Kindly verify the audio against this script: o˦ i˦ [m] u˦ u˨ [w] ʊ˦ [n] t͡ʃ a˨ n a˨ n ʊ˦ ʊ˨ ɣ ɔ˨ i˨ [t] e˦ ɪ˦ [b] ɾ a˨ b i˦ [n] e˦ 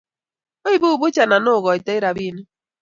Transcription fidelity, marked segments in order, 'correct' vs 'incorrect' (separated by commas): incorrect, incorrect, incorrect, correct, incorrect, correct